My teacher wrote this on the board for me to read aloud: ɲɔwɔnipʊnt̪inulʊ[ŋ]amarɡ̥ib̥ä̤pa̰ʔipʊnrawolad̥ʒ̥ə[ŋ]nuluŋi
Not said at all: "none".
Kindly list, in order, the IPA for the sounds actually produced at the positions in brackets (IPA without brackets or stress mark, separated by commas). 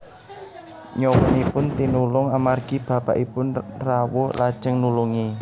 ŋ, ŋ